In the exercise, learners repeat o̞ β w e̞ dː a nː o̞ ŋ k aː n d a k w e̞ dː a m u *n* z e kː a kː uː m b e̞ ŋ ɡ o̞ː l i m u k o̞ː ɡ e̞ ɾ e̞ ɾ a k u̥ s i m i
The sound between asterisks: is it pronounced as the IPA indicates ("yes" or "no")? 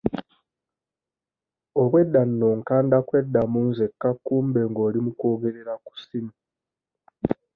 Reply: yes